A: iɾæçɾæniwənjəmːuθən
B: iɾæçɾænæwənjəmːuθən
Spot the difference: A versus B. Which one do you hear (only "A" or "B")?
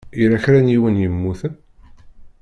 A